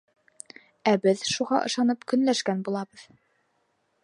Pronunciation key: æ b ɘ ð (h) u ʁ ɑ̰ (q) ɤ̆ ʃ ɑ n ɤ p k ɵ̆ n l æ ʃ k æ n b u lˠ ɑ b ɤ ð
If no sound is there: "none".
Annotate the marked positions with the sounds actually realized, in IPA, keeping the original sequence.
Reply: ʃ, ʔ

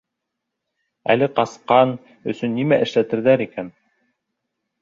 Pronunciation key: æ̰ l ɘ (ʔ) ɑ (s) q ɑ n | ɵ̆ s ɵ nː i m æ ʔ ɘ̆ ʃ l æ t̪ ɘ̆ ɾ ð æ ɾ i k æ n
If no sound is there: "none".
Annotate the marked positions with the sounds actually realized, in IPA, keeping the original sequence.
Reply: q, s

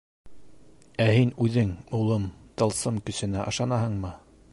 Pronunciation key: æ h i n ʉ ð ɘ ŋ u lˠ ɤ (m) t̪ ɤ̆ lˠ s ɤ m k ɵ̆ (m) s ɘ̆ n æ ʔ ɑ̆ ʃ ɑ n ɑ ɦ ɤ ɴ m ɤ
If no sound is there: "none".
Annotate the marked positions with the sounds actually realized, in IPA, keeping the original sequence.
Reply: m, none

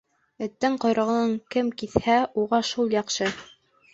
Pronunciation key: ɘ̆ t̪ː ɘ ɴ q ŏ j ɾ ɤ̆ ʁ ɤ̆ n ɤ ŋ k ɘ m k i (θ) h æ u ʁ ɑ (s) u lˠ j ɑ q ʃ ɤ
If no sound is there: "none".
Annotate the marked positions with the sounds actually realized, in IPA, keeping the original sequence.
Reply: θ, ʃ

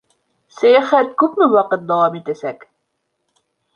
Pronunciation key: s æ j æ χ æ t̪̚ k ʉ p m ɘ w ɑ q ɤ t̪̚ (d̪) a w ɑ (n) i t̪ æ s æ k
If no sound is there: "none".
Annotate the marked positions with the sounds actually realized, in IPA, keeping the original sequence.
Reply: d̪, m

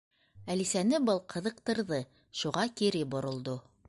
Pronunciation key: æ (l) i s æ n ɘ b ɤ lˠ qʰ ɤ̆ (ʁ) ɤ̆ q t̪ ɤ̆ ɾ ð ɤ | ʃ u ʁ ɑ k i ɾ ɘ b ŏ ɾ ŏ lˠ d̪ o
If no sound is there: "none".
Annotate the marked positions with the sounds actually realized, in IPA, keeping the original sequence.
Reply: l, ð

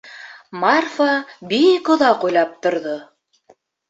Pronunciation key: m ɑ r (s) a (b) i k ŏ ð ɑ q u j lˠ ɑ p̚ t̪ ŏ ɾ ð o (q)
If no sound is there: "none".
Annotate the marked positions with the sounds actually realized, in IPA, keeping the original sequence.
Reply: f, b, none

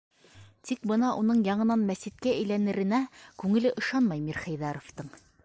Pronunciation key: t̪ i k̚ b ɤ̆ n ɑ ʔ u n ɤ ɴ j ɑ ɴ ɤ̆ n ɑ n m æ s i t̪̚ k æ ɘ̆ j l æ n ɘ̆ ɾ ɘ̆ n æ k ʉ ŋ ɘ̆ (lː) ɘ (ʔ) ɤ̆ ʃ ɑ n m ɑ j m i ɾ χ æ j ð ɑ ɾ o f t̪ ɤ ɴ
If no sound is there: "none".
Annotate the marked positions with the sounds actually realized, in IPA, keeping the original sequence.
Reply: l, ʔ

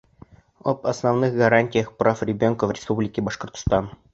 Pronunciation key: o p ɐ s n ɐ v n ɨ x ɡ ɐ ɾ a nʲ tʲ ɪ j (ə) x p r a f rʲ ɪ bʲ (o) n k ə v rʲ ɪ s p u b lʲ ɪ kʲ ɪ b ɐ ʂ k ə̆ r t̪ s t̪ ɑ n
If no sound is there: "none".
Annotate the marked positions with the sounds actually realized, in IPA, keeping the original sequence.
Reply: ə, o

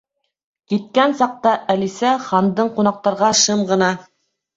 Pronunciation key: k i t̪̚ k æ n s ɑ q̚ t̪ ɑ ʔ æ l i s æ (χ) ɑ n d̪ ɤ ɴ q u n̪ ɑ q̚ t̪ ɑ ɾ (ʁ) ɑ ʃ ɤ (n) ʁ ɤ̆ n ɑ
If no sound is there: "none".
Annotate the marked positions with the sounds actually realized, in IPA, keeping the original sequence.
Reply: χ, ʁ, m

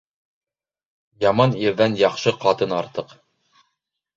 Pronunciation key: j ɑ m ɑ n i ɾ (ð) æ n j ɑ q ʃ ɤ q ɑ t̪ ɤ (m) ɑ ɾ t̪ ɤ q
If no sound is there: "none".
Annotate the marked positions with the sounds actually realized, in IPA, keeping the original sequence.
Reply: ð, n

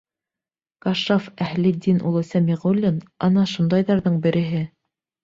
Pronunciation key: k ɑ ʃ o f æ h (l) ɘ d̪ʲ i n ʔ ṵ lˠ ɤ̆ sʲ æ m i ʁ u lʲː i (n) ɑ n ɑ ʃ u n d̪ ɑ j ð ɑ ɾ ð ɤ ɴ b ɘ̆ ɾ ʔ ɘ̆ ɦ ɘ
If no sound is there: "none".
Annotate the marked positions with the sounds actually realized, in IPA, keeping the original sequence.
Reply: l, n

